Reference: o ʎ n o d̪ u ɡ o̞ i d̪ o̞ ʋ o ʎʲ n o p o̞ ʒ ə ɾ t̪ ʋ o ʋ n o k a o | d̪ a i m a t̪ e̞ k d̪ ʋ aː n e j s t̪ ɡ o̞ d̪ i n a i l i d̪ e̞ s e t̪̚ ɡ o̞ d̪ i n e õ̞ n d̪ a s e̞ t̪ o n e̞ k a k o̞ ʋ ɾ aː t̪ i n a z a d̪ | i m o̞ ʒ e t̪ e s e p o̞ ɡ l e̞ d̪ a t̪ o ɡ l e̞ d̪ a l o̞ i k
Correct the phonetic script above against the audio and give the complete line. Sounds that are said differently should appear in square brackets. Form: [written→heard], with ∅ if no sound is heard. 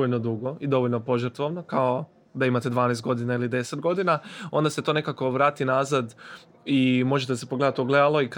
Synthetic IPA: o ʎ n o d̪ u ɡ o̞ i d̪ o̞ ʋ o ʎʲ n o p o̞ ʒ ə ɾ t̪ ʋ o ʋ n o k a o | d̪ a i m a t̪ e̞ [k→∅] d̪ ʋ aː n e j s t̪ ɡ o̞ d̪ i n a i l i d̪ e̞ s e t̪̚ ɡ o̞ d̪ i n [e→a] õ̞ n d̪ a s e̞ t̪ o n e̞ k a k o̞ ʋ ɾ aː t̪ i n a z a d̪ | i m o̞ ʒ e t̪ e s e p o̞ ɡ l e̞ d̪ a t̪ o ɡ l e̞ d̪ a l o̞ i k